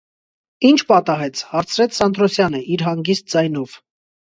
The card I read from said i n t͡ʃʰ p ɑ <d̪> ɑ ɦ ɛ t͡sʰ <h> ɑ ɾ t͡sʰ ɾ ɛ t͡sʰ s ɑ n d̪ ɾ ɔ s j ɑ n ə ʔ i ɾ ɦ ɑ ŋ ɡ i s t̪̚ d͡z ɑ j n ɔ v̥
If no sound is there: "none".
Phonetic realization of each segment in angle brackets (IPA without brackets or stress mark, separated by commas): t̪, h